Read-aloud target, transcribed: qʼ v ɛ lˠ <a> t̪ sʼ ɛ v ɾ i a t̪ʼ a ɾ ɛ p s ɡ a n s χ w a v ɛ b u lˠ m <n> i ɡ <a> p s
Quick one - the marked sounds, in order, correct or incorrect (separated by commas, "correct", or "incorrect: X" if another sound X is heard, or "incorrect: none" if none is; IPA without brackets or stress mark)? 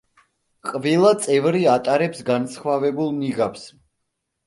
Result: correct, correct, correct